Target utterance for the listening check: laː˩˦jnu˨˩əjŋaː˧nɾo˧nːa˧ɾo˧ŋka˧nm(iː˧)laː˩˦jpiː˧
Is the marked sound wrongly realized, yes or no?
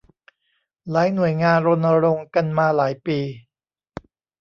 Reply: yes